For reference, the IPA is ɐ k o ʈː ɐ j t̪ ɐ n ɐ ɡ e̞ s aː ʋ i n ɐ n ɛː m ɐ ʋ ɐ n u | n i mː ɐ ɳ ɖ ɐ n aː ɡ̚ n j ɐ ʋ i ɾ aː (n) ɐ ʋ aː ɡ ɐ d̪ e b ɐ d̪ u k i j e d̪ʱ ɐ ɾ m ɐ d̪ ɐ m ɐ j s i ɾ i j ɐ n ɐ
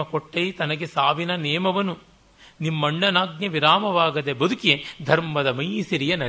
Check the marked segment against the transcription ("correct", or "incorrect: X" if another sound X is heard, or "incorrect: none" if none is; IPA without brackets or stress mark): incorrect: m